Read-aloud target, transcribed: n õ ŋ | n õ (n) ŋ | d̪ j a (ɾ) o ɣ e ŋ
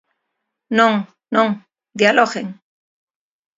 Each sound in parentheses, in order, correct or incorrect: incorrect: none, incorrect: l

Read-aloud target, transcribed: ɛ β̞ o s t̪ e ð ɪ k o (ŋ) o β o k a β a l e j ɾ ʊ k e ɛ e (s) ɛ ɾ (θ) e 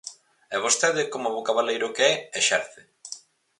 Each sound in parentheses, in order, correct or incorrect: incorrect: m, incorrect: ʃ, correct

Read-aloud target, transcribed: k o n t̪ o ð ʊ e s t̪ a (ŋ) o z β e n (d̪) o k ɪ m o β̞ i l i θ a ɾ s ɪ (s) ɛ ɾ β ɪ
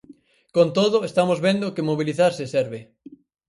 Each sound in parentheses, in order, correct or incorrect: incorrect: m, correct, correct

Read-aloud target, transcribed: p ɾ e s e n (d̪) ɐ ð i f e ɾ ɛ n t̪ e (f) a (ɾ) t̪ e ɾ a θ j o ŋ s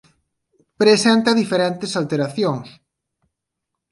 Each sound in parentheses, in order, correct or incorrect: incorrect: t̪, incorrect: s, incorrect: l

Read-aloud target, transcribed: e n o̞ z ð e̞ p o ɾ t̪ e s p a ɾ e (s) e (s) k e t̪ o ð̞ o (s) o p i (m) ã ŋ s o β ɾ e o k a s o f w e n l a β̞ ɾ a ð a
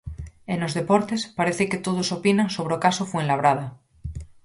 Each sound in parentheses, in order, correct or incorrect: incorrect: θ, incorrect: none, correct, incorrect: n

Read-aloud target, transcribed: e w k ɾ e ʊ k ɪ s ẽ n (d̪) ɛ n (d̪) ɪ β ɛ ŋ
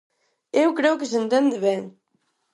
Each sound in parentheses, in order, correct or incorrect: incorrect: t̪, correct

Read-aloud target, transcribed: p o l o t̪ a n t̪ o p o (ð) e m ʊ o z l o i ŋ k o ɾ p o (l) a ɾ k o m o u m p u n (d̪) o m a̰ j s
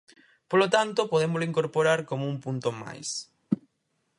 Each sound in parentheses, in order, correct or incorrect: correct, incorrect: ɾ, incorrect: t̪

